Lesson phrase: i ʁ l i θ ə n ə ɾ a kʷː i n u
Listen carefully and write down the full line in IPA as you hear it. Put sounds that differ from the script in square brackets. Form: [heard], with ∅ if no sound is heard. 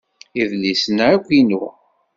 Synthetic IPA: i [ð] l i [s] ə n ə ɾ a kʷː i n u

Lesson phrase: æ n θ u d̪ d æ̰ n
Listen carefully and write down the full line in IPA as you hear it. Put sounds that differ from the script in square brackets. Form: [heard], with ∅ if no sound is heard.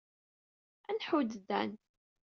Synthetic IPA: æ n [ħ] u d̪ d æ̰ n

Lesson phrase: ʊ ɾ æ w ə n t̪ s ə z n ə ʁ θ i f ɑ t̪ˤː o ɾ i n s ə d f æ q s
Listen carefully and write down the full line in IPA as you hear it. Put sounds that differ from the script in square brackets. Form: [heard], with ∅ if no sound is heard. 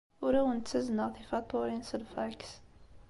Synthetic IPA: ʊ ɾ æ w ə n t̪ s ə z n ə ʁ θ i f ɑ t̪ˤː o ɾ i n s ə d f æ [k] s

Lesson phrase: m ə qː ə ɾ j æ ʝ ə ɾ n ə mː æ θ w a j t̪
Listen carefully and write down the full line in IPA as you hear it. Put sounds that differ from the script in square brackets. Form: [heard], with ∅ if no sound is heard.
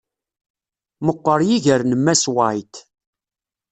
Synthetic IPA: m ə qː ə ɾ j [i] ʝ ə ɾ n ə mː æ [s] w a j t̪

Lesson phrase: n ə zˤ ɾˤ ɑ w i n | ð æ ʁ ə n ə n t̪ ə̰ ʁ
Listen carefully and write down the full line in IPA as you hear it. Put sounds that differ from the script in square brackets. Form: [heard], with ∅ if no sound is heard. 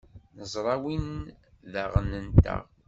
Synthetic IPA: n ə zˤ ɾˤ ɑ w i n | ð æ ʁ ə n ə n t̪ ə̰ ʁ

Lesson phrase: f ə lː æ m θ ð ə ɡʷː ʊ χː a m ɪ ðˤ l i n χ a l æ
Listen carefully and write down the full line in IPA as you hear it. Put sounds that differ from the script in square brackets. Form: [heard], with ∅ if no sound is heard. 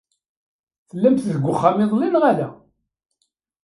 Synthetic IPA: [θ] ə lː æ m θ ð ə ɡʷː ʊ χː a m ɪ ðˤ l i n [ʁ] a l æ

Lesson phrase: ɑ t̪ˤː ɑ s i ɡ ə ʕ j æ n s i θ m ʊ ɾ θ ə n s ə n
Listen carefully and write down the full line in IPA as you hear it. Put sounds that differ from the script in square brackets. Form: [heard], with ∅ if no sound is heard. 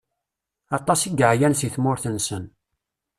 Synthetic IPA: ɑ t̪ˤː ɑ s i ɡ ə ʕ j æ n s i θ m ʊ ɾ θ ə n s ə n

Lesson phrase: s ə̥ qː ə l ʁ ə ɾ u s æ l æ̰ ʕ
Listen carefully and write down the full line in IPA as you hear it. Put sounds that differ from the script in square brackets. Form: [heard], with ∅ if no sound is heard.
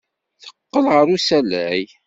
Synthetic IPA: [θ] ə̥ qː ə l ʁ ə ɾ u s æ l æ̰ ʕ

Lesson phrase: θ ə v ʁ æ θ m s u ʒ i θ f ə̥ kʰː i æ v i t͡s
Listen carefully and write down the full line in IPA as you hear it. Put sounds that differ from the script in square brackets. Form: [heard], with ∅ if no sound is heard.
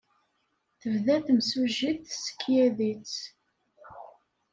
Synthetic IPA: θ ə v [ð] æ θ m s u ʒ i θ [s] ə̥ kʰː [j] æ [ð] i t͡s

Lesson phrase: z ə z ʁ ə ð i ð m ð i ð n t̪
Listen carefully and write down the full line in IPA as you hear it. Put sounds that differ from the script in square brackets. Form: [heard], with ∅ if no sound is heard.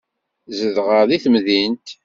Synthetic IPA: z ə [ð] ʁ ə ð i [θ] m ð i [∅] n t̪

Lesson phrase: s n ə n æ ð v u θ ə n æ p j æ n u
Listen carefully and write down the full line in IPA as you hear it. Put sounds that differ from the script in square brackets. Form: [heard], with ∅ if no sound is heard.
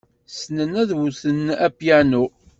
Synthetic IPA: s n ə n æ ð [w] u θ ə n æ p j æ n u

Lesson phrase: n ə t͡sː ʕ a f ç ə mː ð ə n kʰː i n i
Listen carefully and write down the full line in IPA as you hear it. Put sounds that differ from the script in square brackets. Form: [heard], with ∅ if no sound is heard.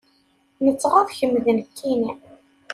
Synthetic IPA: n ə t͡sː [ʁ] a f ç ə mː ð ə n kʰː i n i

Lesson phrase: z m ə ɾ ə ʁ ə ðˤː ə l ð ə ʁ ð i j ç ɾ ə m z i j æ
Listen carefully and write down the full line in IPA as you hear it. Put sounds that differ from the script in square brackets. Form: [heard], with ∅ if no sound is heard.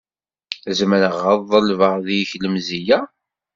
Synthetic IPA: z m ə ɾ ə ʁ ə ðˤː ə l [v] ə ʁ ð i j ç [l] ə m z i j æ

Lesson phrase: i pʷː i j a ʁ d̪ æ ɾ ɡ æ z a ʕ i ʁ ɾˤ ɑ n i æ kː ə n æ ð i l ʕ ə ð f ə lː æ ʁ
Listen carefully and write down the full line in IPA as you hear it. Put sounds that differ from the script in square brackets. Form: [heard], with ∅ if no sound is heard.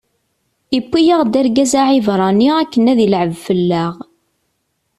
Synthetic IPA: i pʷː i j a ʁ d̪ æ ɾ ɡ æ z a ʕ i [v] ɾˤ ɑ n i æ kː ə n æ ð i l ʕ ə [v] f ə lː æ ʁ

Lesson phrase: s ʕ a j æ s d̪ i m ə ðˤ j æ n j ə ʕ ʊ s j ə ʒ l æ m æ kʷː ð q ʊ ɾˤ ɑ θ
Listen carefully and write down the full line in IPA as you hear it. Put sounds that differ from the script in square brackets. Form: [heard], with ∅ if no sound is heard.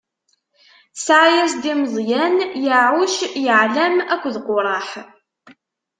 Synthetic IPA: s ʕ a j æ s d̪ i m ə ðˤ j æ n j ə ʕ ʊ [ʃ] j ə [ʕ] l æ m æ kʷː ð q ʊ ɾˤ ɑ [ħ]

